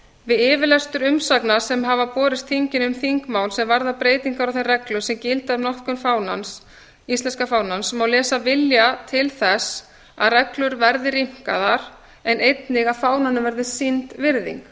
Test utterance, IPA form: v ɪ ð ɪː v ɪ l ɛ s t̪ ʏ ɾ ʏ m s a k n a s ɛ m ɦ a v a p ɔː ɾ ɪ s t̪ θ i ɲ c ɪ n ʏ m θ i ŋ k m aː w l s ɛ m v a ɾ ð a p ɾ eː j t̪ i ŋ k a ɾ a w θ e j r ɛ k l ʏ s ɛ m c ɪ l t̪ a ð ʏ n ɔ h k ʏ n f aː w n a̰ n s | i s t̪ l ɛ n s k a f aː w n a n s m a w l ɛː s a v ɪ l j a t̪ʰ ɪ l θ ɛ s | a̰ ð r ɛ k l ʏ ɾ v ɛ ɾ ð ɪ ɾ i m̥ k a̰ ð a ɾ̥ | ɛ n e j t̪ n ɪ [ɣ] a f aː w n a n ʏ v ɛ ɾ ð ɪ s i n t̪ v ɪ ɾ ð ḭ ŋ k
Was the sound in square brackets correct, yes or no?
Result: yes